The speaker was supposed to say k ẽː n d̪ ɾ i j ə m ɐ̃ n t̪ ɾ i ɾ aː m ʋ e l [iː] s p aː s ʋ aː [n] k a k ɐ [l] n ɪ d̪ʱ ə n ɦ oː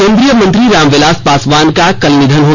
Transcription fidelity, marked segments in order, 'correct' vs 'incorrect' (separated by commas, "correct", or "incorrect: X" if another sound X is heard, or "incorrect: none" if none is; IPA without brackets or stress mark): incorrect: aː, correct, correct